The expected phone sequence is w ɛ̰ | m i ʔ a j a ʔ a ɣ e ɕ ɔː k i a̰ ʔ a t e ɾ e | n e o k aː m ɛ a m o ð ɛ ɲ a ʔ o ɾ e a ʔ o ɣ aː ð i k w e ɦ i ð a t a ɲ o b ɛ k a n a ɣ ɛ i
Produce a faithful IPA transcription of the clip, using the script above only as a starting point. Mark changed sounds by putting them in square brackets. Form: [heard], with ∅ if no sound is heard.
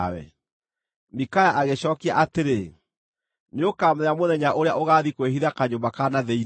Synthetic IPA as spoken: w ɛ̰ | m i [k] a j a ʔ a ɣ e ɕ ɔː k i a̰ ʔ a t e ɾ e | n e o k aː m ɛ a m o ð ɛ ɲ a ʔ o ɾ e a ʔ o ɣ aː ð i k w e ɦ i ð a [k] a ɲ o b [a] k a n a [ð] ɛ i